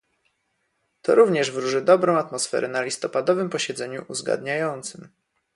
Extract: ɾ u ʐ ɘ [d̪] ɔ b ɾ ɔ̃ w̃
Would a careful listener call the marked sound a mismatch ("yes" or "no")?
no